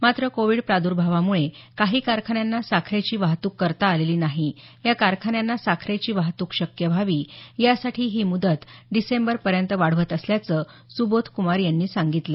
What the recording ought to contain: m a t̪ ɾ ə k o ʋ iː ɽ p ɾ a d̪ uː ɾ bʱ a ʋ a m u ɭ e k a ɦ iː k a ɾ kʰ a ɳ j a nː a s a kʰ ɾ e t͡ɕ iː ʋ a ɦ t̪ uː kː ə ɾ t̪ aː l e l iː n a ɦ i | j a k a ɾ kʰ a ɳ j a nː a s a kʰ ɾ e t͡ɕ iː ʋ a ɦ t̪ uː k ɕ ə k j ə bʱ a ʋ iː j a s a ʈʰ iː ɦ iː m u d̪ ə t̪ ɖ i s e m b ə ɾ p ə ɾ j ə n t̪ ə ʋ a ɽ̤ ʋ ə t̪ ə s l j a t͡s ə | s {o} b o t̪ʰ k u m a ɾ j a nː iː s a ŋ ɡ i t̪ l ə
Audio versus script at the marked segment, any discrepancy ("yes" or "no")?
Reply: yes